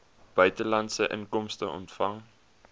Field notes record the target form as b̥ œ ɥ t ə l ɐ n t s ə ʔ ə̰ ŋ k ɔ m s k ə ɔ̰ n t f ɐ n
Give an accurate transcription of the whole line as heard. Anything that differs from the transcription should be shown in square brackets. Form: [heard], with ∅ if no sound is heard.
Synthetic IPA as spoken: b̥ œ ɥ t ə l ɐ n t s ə ʔ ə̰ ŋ k ɔ m s [t] ə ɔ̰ n t f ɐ [ŋ]